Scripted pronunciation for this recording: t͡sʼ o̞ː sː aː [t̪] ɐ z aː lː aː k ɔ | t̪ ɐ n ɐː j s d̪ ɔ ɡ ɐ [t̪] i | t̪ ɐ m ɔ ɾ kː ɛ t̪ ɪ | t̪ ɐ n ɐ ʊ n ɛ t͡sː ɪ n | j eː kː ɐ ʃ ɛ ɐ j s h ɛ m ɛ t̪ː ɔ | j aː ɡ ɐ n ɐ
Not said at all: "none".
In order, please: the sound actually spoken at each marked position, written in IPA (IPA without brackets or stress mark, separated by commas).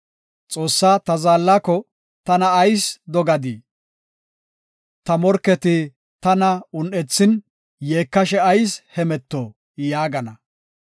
t̪, d̪